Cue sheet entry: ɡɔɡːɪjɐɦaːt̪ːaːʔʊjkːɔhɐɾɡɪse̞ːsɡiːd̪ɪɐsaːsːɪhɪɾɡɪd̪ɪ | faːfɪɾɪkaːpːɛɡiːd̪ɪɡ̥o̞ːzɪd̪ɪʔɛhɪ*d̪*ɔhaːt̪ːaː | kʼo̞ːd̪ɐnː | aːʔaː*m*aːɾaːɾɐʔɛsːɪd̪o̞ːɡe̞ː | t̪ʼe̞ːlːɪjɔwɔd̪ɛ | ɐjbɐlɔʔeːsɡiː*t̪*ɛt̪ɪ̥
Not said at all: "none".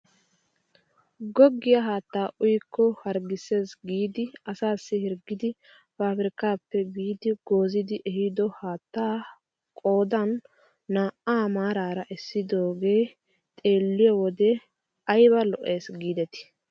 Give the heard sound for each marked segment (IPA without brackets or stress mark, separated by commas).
d̪, m, d̪